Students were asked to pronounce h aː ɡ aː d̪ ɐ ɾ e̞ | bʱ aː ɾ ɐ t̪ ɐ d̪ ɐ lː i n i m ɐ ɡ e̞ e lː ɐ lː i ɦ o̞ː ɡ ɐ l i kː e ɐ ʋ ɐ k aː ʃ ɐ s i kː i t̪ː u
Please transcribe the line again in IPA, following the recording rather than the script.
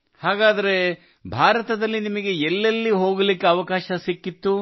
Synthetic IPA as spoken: h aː ɡ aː d̪ ɐ ɾ e̞ | bʱ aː ɾ ɐ t̪ ɐ d̪ ɐ lː i n i m ɐ ɡ e̞ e lː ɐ lː i ɦ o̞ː ɡ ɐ l i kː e ɐ ʋ ɐ k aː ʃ ɐ s i kː i t̪ː u